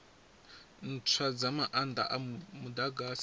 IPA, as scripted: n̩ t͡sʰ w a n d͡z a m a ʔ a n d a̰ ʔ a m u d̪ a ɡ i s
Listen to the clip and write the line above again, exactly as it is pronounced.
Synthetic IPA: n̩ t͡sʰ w a d͡z a m a ʔ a n d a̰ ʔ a m u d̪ a ɡ a s

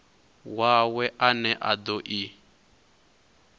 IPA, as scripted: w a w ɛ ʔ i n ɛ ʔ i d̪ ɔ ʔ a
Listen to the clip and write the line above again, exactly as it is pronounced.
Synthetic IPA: w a w ɛ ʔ a n ɛ ʔ a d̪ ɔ ʔ i

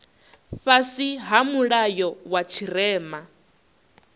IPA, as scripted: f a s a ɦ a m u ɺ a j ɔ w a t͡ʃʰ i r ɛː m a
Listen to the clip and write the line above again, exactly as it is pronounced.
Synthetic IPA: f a s i ɦ a m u ɺ a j ɔ w a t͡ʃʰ i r ɛː m a

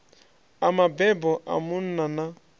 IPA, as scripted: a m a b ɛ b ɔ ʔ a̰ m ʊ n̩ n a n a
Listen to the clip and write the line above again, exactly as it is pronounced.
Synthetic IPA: a m a b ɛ b ɔ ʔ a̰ m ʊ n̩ n a n a

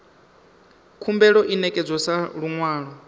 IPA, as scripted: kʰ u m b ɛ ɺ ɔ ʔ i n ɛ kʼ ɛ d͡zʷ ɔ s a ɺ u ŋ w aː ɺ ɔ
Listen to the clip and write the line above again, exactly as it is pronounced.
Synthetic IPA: kʰ u m b ɛ ɺ ɔ ʔ i n ɛ kʼ ɛ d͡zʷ ɔ s a ɺ u ŋ w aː ɺ ɔ

